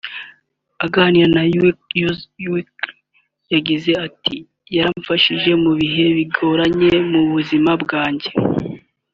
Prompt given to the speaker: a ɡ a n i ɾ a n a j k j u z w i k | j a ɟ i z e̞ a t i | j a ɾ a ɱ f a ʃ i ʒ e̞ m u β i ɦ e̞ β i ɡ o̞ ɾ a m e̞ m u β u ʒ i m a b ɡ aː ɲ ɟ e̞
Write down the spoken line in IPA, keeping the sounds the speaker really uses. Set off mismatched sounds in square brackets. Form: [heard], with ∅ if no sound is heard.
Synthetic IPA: a ɡ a n i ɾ a n a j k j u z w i k | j a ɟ i z e̞ a t i | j a ɾ a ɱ f a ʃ i ʒ e̞ m u β i ɦ e̞ β i ɡ o̞ ɾ a [ɲ] e̞ m u β u [z] i m a b ɡ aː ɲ ɟ e̞